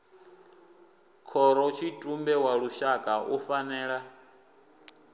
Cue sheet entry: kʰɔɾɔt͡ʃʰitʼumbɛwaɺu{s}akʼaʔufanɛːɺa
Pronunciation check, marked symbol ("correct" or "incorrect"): incorrect